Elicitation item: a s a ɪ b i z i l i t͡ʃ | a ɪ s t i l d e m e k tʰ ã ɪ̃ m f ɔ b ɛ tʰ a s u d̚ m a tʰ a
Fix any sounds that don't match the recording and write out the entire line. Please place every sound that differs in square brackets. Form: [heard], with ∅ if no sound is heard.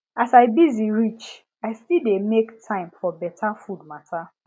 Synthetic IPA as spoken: a s a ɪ b i z i [ɹ] i t͡ʃ | a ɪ s t i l d e m e k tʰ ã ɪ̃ m f ɔ b ɛ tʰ a [f] u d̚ m a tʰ a